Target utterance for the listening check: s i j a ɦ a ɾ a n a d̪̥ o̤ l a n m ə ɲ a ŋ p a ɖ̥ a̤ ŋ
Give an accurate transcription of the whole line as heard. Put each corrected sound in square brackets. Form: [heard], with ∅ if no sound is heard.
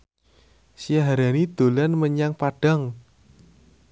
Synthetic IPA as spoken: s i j a ɦ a ɾ a n [i] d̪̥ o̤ l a n m ə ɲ a ŋ p a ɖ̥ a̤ ŋ